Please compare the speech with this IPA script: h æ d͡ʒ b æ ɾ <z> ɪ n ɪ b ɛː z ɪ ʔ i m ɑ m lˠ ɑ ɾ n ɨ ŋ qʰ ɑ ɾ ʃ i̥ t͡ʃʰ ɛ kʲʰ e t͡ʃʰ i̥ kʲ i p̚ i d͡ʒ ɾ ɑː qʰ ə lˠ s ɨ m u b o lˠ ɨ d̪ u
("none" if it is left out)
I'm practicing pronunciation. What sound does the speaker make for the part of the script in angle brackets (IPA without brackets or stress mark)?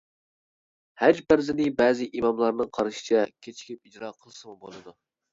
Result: z